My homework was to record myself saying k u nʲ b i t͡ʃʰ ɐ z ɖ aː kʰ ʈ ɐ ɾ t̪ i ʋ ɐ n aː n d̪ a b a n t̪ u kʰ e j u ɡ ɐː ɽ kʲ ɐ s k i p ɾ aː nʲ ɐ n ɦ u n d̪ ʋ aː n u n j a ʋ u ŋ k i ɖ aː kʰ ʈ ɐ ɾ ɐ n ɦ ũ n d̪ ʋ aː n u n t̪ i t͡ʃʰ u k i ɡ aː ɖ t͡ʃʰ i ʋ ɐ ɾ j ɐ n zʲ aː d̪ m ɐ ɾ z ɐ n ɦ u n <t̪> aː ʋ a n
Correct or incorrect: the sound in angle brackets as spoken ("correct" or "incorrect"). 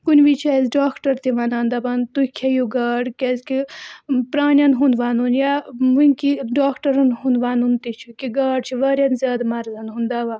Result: incorrect